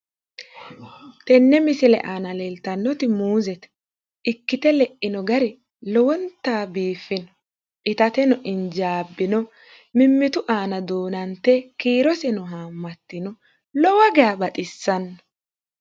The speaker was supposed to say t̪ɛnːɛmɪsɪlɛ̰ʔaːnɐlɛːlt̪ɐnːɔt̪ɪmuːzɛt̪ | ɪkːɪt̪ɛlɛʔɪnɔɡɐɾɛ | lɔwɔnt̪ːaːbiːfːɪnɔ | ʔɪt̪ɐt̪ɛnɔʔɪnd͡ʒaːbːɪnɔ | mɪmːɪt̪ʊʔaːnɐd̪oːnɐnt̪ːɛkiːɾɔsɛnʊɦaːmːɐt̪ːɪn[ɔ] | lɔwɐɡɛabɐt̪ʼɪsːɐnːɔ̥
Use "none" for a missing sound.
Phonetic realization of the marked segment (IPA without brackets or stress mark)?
ɔ